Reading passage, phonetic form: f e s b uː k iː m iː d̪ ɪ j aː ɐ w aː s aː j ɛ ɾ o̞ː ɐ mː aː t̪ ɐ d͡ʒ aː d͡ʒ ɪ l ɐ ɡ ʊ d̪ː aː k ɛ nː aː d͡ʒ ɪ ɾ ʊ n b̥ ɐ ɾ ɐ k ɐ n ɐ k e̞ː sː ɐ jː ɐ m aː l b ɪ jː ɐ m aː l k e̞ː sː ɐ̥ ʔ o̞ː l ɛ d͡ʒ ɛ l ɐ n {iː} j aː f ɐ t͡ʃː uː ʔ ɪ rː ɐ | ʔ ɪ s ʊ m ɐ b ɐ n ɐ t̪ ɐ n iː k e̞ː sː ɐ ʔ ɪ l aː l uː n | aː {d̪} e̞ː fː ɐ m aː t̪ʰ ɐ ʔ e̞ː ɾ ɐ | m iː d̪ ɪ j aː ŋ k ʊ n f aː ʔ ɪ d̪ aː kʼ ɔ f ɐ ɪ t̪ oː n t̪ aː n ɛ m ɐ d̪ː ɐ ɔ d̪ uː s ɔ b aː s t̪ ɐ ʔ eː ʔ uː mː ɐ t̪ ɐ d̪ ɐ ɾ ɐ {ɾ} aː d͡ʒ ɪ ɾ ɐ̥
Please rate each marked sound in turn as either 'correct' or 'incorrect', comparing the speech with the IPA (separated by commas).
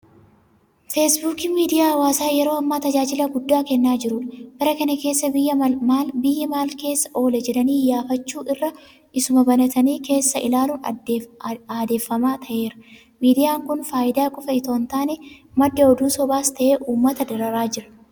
correct, correct, correct